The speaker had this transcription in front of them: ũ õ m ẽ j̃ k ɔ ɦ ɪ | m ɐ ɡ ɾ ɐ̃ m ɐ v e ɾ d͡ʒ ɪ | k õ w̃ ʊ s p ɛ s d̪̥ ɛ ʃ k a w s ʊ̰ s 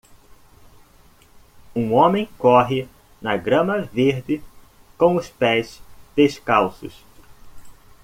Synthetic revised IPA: ũ õ m ẽ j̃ k ɔ ɦ ɪ | n ɐ ɡ ɾ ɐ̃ m ɐ v e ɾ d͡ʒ ɪ | k õ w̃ ʊ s p ɛ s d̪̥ e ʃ k a w s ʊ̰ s